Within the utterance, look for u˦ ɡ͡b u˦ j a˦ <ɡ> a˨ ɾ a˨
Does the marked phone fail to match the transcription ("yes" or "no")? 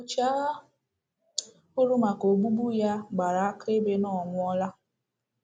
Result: yes